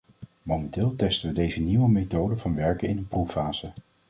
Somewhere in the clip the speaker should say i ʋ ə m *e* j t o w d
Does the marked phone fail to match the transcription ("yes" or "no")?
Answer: no